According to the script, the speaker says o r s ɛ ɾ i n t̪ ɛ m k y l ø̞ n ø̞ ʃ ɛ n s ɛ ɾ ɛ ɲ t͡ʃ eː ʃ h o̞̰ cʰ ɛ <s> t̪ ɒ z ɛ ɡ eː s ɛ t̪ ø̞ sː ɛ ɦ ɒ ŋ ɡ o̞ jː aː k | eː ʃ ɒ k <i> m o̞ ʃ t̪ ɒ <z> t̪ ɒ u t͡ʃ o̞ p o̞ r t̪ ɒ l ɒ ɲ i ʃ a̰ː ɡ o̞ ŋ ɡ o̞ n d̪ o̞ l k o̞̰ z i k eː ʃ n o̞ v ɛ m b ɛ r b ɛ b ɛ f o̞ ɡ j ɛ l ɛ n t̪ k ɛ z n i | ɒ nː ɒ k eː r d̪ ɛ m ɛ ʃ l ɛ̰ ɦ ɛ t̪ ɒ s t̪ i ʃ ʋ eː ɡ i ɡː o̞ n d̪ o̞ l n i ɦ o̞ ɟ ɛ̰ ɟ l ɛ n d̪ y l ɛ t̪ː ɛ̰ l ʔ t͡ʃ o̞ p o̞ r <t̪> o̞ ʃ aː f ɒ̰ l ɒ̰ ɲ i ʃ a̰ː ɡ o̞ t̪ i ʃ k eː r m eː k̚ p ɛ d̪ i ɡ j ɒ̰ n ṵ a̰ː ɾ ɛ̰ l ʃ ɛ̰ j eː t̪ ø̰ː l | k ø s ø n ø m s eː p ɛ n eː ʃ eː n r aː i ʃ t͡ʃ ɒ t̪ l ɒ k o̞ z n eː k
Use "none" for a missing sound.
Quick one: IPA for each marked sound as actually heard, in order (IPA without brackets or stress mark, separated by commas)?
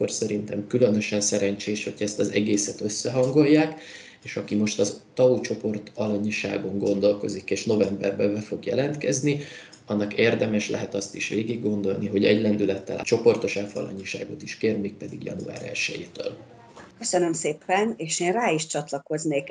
s, i, z, t̪